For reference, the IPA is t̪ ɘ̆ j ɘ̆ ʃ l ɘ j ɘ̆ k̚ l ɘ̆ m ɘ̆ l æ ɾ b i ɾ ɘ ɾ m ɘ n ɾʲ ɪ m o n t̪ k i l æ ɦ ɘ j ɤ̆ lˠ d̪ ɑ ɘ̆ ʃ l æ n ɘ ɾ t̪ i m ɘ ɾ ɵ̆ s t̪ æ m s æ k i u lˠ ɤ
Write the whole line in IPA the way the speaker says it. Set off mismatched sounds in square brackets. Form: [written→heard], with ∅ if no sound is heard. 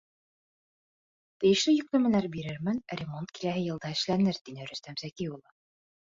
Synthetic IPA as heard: t̪ ɘ̆ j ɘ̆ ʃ l ɘ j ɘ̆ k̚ l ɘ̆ m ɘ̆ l æ ɾ b i ɾ ɘ ɾ m ɘ n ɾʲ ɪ m o n t̪ k i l æ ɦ ɘ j ɤ̆ lˠ d̪ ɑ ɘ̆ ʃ l æ n ɘ ɾ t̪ i [m→n] ɘ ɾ ɵ̆ s t̪ æ m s æ k i u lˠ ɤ